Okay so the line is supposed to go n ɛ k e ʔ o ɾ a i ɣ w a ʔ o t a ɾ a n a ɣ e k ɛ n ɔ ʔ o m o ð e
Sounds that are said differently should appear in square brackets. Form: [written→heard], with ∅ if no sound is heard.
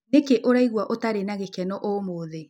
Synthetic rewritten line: n [ɛ→e] k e ʔ o ɾ a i ɣ w a ʔ o t a ɾ [a→e] n a ɣ e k ɛ n ɔ ʔ o m o ð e